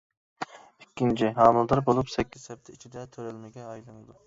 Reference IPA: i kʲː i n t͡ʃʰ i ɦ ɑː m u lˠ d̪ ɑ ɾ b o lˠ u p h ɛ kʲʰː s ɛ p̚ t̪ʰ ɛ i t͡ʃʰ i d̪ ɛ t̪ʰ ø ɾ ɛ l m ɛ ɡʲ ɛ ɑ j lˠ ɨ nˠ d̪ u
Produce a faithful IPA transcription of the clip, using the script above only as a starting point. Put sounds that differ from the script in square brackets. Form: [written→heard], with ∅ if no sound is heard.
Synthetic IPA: i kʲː i n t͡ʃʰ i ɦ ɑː m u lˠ d̪ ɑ ɾ b o lˠ u p [h→s] ɛ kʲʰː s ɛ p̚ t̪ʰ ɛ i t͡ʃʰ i d̪ ɛ t̪ʰ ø ɾ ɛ l m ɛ ɡʲ ɛ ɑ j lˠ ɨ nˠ d̪ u